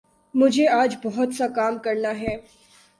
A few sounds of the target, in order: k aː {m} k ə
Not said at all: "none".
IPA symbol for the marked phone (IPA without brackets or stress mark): m